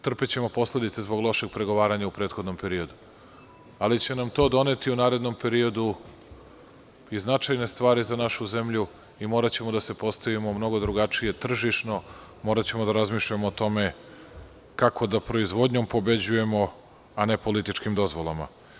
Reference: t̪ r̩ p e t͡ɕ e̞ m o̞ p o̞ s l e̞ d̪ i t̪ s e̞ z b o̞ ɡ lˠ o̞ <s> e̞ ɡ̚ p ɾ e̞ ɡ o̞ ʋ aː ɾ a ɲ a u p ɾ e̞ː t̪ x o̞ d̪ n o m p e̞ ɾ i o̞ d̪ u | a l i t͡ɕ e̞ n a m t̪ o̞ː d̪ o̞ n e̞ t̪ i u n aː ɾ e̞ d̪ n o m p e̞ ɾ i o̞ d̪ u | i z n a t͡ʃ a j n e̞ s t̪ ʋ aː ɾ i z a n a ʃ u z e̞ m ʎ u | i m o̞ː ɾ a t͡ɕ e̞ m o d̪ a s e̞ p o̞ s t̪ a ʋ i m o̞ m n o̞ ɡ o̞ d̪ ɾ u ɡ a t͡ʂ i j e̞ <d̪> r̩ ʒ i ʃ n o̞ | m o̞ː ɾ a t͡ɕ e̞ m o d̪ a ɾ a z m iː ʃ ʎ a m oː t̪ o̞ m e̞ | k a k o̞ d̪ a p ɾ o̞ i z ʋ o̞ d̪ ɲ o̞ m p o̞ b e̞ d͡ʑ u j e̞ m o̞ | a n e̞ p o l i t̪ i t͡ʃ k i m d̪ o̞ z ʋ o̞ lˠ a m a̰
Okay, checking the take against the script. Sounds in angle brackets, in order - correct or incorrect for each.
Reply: incorrect, incorrect

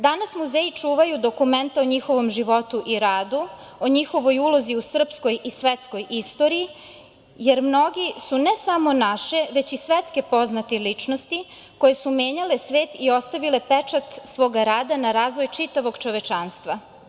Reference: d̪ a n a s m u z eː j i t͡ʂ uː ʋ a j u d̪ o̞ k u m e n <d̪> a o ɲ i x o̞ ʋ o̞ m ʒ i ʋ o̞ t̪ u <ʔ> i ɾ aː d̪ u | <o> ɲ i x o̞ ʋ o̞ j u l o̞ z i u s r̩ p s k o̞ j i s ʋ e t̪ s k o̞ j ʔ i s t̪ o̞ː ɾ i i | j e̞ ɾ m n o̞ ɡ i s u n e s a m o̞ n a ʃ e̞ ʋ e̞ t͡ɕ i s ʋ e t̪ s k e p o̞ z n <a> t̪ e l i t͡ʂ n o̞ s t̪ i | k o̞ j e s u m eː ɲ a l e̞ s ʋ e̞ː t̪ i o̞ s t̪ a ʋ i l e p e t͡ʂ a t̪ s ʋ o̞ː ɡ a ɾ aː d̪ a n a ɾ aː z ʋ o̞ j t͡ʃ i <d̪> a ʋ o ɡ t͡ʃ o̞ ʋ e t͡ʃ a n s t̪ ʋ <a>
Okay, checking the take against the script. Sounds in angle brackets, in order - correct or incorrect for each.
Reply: incorrect, correct, correct, correct, incorrect, correct

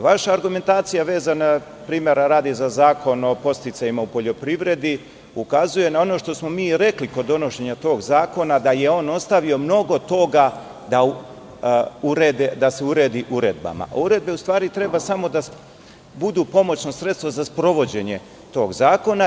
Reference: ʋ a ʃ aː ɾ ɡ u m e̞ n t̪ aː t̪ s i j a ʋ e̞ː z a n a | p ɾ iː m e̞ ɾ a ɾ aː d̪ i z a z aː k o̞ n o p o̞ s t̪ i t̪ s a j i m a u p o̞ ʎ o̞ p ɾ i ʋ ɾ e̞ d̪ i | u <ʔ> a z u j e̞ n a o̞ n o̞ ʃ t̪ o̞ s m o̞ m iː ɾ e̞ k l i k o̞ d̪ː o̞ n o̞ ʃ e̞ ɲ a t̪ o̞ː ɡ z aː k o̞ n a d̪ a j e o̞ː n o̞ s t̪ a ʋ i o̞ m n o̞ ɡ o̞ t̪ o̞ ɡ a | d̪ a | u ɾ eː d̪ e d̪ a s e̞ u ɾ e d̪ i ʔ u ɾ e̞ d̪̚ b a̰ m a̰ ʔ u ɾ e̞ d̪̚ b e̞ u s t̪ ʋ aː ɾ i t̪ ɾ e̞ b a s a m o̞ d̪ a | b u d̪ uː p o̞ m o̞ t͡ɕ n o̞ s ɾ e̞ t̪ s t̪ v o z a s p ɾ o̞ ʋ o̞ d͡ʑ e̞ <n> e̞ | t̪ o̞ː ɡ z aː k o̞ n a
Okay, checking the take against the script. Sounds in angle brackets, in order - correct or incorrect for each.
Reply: incorrect, incorrect

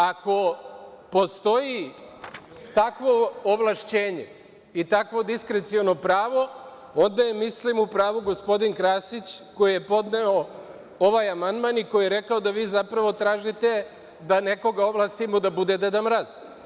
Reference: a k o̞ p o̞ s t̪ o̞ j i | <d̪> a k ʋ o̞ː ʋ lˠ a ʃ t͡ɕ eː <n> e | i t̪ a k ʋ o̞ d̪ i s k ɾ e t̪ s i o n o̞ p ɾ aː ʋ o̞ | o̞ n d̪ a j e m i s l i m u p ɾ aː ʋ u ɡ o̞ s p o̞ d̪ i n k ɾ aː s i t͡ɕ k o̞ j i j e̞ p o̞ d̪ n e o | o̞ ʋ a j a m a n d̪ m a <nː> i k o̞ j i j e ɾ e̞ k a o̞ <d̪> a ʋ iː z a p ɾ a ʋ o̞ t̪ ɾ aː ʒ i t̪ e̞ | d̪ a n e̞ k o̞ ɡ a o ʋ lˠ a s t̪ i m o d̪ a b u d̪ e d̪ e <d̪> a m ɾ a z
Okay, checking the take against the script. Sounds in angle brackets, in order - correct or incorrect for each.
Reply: incorrect, incorrect, incorrect, correct, correct

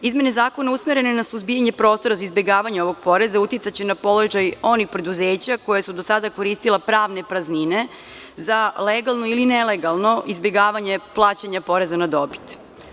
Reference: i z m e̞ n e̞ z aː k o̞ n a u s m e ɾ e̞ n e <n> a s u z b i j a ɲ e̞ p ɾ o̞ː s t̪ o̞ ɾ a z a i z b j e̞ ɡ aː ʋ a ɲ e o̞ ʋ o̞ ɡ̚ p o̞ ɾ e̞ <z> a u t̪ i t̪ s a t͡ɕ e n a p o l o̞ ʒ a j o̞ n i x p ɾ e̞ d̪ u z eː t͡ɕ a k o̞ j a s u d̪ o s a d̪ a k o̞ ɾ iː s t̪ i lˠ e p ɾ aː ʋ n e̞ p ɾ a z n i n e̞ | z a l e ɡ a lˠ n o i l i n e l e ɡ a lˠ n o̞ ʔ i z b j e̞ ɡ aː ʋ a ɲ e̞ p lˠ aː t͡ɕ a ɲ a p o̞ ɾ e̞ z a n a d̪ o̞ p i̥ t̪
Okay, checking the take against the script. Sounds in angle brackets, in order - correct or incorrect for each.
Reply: correct, correct

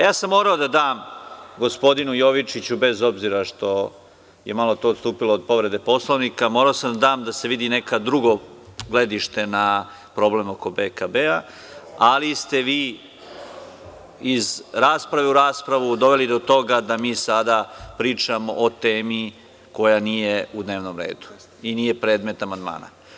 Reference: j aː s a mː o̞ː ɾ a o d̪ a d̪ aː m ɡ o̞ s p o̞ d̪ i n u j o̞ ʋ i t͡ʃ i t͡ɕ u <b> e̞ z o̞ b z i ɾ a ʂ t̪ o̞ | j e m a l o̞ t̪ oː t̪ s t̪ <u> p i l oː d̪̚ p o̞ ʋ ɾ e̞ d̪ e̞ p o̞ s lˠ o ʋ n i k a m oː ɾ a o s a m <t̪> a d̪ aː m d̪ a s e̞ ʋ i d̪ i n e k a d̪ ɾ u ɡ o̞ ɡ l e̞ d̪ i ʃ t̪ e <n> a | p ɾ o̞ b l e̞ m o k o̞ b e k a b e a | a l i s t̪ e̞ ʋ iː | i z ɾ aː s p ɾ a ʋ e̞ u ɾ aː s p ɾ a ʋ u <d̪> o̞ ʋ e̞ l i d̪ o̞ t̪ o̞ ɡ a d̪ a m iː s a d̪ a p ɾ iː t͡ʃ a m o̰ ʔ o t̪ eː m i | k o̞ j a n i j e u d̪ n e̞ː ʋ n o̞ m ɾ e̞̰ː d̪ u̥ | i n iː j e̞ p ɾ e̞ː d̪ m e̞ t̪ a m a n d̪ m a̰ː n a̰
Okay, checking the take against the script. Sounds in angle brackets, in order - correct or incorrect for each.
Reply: correct, incorrect, incorrect, correct, correct

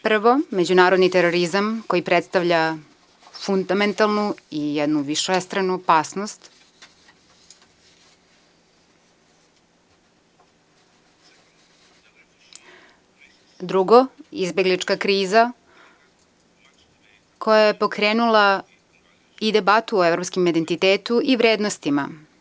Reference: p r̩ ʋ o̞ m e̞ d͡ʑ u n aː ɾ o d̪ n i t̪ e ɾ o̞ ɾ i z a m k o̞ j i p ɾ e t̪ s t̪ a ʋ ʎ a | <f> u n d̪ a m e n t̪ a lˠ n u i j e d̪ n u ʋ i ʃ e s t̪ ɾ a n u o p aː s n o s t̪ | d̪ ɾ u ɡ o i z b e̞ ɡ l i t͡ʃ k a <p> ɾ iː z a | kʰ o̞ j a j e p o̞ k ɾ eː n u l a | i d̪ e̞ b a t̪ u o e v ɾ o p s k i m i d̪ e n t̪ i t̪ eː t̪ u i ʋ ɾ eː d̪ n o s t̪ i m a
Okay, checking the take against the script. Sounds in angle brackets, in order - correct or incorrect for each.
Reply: correct, incorrect

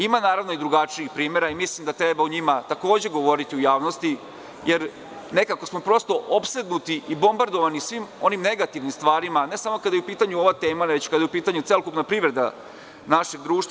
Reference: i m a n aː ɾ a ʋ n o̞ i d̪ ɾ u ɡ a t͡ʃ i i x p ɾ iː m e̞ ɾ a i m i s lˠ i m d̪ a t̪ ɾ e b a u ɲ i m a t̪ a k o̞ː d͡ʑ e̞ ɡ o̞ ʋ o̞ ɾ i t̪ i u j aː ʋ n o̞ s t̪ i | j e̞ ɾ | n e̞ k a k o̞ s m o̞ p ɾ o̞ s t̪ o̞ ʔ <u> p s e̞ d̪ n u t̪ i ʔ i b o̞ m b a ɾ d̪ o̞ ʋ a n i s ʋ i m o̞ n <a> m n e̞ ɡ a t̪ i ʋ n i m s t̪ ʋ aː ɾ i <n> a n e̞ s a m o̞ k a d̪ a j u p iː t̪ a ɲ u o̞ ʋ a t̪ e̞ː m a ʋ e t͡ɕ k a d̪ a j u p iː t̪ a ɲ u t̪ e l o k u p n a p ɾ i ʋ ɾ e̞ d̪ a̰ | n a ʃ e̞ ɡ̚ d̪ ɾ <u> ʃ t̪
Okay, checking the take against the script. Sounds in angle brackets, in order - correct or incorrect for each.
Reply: incorrect, incorrect, incorrect, incorrect

